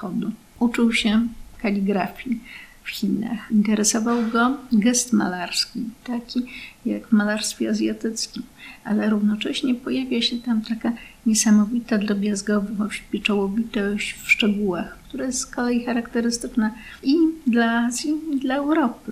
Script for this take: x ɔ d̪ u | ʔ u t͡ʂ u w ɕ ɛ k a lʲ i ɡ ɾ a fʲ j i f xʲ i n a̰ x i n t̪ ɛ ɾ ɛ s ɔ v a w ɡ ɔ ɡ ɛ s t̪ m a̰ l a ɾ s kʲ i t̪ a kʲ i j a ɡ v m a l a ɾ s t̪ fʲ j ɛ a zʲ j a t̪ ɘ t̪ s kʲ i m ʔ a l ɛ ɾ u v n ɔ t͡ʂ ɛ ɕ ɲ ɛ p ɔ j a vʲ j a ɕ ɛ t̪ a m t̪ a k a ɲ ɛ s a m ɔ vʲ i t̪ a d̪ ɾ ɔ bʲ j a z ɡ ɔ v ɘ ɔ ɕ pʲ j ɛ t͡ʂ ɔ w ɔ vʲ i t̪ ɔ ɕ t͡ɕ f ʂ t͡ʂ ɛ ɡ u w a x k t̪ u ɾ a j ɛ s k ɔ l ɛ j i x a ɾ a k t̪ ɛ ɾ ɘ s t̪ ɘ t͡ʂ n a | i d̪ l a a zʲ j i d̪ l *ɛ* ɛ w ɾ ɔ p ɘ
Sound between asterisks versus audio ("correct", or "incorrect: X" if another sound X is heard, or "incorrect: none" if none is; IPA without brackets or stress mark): incorrect: a